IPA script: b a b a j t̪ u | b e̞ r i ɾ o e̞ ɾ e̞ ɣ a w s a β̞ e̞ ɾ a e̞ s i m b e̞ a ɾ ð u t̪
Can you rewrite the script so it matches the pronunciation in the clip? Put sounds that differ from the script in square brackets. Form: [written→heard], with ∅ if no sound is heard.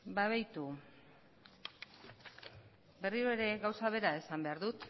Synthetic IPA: b a [b→β] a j t̪ u | b e̞ r i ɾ o e̞ ɾ e̞ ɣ a w s a β̞ e̞ ɾ a e̞ s [i→a] m b e̞ a ɾ ð u t̪